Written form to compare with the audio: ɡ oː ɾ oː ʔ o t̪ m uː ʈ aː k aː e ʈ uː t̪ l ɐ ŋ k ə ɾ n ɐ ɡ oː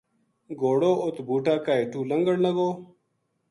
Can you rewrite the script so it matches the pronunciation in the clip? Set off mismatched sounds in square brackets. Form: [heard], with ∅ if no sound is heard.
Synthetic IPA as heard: ɡ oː [ɽ] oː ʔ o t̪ [b] uː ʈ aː k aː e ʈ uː [∅] l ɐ ŋ [ɡ] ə [ɽ] n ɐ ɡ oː